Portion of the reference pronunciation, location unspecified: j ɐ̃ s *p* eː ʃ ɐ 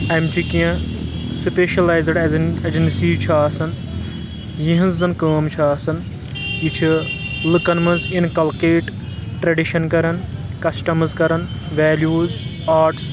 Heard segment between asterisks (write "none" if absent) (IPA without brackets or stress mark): p